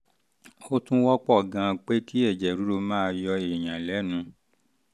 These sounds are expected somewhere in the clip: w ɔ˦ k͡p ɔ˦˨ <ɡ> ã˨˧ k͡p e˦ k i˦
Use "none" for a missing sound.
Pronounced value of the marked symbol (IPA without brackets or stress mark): ɡ